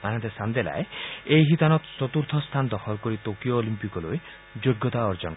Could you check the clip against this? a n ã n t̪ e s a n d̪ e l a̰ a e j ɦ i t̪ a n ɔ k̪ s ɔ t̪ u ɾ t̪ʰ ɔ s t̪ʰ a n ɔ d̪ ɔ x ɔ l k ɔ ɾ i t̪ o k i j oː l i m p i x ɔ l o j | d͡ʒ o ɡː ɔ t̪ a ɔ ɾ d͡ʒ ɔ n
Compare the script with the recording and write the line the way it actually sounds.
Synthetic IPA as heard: a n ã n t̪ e s a n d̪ e l a̰ e e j ɦ i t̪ a n ɔ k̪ s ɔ t̪ u ɾ t̪ʰ ɔ s t̪ʰ a n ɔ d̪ ɔ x ɔ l k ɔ ɾ i t̪ o k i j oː l i m p i k ɔ l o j | d͡ʒ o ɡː ɔ t̪ a ɔ ɾ d͡ʒ ɔ n